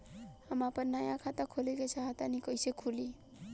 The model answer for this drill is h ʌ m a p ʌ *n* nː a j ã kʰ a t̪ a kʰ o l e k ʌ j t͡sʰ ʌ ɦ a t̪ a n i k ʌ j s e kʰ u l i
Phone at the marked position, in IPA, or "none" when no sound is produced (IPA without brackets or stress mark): n